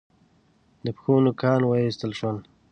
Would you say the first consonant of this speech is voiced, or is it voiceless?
voiced